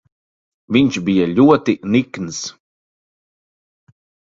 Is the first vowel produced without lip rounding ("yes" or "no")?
yes